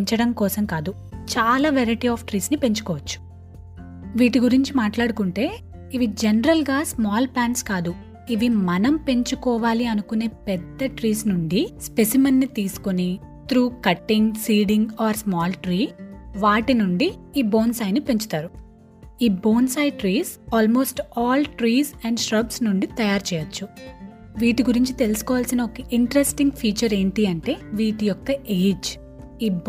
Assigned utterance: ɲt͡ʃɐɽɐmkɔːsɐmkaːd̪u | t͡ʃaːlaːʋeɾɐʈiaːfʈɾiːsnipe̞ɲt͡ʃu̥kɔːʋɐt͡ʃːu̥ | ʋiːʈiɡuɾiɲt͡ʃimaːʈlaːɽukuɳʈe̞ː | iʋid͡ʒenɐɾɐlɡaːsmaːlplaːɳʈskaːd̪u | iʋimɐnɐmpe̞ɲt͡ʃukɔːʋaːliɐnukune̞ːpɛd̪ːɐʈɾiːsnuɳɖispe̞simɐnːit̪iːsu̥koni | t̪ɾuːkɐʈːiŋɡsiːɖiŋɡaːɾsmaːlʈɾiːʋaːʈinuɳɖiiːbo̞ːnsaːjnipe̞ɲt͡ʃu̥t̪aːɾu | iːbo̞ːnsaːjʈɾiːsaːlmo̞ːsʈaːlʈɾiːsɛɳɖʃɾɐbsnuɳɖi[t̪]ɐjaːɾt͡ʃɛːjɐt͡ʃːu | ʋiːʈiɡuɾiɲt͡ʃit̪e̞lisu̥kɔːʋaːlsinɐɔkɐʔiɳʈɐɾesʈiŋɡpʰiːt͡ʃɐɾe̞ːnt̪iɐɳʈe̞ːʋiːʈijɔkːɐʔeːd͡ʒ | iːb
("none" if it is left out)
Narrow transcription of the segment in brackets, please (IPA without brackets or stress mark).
t̪